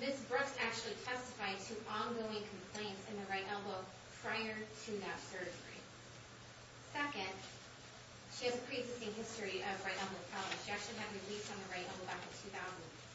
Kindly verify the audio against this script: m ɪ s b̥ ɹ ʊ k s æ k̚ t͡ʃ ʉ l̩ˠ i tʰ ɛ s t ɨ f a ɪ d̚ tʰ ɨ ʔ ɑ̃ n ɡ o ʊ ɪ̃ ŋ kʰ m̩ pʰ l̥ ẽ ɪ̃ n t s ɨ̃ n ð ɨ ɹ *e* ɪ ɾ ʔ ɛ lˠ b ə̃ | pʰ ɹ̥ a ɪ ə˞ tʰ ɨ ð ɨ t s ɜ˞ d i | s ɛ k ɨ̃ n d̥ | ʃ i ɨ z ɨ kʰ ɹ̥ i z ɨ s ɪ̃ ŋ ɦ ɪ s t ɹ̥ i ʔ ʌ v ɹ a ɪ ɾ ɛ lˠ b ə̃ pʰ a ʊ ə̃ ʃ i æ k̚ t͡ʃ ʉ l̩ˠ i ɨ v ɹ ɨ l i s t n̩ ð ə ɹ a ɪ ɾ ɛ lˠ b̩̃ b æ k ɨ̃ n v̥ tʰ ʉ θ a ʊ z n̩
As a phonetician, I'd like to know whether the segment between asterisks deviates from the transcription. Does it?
yes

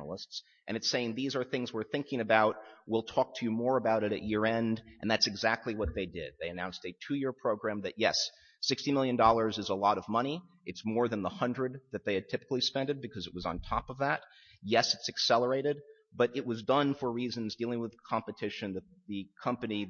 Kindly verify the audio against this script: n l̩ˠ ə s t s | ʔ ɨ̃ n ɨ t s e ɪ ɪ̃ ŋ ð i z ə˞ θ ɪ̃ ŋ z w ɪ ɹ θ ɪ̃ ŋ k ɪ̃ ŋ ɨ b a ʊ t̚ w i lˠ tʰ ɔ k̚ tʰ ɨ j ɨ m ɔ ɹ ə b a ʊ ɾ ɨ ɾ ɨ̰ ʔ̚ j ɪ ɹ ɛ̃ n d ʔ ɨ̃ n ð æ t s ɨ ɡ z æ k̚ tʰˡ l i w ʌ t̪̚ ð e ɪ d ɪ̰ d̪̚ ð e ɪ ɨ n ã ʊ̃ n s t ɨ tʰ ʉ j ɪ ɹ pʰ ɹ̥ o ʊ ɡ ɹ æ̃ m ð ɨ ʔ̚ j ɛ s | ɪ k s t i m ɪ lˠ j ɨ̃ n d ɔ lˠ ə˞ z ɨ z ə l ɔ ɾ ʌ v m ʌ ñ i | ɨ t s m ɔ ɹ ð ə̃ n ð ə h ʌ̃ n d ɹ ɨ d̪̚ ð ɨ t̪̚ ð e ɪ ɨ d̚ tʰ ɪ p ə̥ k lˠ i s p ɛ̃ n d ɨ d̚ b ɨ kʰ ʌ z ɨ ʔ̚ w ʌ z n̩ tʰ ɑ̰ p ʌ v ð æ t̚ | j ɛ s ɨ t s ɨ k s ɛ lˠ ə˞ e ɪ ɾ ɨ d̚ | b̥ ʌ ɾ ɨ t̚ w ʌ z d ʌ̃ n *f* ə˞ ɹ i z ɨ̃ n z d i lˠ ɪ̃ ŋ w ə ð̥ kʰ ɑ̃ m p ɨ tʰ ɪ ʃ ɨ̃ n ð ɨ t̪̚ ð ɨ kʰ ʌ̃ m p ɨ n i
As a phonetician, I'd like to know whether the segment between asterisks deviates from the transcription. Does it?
no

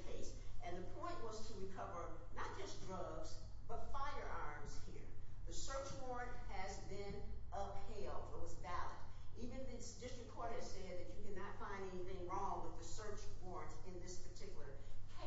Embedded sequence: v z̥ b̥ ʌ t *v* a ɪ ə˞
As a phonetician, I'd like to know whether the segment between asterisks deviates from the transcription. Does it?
yes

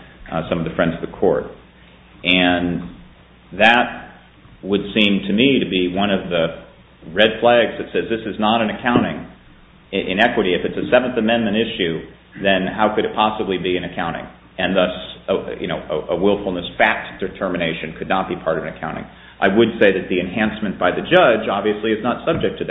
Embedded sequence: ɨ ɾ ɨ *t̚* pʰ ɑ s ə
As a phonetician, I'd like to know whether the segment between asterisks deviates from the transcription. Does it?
no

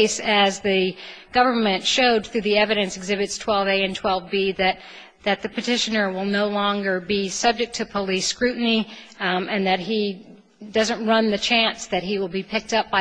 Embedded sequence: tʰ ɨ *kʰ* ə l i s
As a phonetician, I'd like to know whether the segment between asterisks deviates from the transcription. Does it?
yes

